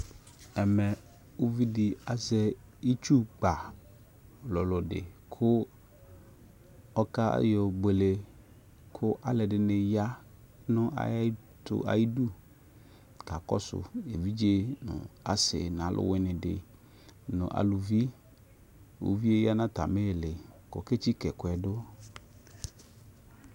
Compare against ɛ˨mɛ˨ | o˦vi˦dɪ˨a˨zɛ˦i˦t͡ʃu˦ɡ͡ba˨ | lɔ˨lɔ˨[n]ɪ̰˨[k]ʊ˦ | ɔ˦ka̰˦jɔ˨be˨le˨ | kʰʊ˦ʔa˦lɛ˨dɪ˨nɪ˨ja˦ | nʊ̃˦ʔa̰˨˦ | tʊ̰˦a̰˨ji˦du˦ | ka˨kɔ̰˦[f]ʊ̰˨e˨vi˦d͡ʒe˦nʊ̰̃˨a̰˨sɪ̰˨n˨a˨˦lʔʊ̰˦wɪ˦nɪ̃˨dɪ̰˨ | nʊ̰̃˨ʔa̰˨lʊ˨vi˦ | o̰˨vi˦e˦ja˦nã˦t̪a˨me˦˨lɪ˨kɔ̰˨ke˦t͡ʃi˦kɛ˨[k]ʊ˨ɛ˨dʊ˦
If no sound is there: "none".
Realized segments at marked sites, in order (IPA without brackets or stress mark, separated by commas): d, kʰ, s, k